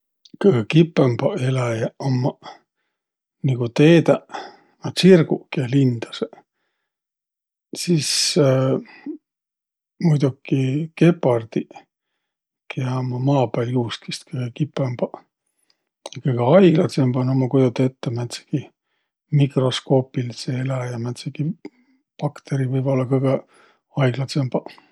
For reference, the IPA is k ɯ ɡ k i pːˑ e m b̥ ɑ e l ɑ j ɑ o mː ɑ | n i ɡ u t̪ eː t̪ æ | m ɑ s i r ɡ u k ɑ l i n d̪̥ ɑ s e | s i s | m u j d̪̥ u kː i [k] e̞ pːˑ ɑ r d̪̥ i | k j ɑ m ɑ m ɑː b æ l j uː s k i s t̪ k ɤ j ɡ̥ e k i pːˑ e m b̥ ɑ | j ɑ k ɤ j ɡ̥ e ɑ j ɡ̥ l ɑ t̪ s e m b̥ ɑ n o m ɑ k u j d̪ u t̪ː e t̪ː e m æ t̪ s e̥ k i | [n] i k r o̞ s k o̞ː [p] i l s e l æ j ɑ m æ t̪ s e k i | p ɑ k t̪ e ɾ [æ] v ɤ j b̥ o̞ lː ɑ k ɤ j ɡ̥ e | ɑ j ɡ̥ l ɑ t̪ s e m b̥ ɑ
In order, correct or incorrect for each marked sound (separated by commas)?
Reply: correct, incorrect, correct, incorrect